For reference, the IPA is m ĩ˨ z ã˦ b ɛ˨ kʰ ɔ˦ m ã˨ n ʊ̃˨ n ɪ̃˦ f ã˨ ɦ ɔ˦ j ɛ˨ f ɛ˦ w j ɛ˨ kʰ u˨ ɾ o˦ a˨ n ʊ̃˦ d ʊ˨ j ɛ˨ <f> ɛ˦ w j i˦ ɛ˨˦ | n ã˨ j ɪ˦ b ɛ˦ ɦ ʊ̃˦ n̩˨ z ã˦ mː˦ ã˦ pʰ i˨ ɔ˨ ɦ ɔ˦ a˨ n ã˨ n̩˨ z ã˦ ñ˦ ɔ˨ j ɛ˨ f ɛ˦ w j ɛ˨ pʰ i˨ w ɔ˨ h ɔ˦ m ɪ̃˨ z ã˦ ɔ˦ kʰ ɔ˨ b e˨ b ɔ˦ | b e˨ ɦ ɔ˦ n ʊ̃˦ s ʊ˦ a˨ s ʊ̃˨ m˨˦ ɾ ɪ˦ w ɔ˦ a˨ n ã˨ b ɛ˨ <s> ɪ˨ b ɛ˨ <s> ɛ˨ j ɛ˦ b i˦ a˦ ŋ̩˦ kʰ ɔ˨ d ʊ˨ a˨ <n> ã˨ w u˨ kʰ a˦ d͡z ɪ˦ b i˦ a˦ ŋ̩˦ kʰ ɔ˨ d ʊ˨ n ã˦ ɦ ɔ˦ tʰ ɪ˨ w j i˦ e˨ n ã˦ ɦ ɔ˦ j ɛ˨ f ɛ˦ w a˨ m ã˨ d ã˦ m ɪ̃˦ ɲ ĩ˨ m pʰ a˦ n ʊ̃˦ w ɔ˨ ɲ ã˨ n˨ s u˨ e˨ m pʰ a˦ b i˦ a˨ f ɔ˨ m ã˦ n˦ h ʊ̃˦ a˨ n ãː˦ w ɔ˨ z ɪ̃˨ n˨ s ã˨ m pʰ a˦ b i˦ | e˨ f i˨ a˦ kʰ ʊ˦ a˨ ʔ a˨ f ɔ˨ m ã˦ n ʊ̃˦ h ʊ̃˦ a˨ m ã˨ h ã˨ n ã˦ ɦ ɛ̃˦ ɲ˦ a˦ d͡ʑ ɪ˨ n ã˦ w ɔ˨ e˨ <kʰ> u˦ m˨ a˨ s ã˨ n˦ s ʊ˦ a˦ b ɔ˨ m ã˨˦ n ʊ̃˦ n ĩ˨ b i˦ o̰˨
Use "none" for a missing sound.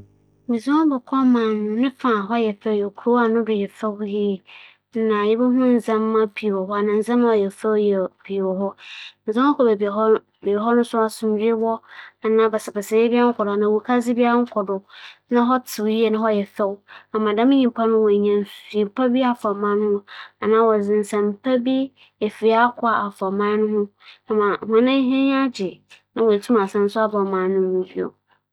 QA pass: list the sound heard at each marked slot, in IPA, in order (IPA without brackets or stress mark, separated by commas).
f, s, s, n, tʰ